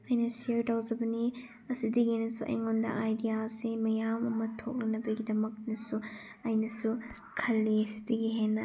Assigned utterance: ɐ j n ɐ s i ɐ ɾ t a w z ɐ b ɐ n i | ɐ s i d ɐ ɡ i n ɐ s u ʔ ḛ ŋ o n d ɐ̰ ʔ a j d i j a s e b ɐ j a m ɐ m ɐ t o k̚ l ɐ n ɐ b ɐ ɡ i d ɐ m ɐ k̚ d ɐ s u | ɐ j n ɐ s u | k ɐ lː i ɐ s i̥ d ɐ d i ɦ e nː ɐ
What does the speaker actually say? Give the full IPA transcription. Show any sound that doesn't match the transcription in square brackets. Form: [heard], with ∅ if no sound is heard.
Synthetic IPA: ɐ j n ɐ s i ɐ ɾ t a w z ɐ b ɐ n i | ɐ s i d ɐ ɡ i n ɐ s u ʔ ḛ ŋ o n d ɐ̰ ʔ a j d i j a s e [m] ɐ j a m ɐ m ɐ [tʰ] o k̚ l ɐ n ɐ b ɐ ɡ i d ɐ m ɐ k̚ [n] ɐ s u | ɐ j n ɐ s u | [kʰ] ɐ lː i ɐ s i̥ d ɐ [ɡ] i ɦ e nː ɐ